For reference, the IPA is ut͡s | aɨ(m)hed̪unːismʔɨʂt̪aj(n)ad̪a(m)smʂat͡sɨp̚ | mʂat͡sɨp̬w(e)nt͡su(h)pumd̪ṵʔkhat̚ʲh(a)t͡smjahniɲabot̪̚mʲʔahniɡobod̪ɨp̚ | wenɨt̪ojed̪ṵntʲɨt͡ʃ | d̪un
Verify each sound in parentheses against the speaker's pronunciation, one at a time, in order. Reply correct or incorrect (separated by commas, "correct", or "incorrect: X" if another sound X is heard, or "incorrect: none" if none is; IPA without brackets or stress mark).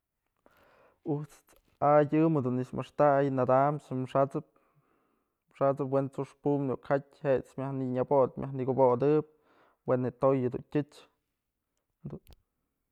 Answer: correct, correct, correct, correct, incorrect: ʂ, incorrect: e